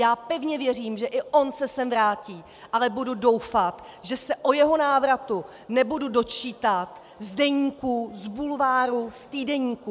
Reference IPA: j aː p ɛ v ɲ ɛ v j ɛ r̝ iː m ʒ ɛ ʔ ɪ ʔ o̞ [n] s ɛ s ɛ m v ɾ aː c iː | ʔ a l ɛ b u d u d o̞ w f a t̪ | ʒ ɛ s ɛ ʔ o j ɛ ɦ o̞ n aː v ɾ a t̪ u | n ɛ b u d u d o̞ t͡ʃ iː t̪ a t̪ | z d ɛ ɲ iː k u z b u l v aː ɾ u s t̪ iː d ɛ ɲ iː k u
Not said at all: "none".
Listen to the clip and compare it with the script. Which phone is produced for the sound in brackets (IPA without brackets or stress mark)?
n